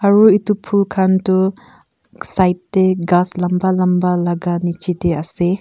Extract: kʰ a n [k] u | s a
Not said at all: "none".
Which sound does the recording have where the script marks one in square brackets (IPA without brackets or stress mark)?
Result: t